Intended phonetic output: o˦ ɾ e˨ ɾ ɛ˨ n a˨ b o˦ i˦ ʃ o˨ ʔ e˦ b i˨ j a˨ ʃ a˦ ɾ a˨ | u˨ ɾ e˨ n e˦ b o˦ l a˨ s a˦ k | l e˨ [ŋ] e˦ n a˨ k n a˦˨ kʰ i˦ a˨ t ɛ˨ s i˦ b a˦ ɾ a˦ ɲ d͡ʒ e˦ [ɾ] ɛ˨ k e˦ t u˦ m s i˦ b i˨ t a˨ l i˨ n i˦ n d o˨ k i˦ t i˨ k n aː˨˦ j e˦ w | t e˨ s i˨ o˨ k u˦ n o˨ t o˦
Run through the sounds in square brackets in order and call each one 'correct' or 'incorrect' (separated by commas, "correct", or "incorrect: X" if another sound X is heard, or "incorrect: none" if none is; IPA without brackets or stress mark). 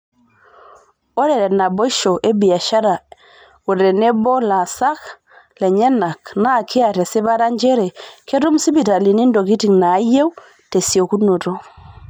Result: incorrect: ɲ, correct